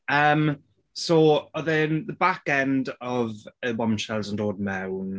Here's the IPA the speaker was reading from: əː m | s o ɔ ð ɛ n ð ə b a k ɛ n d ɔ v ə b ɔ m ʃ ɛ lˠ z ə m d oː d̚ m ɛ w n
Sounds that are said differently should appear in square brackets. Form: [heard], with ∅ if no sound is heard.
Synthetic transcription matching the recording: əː m | s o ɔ ð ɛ n ð ə b a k ɛ n d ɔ v ə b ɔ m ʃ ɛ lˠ z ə [n] d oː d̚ m ɛ w n